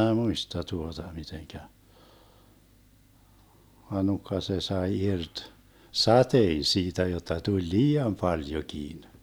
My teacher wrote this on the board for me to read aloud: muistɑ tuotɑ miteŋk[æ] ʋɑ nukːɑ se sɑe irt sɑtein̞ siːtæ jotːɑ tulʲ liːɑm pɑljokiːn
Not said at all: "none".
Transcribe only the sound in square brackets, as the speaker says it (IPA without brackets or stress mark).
æ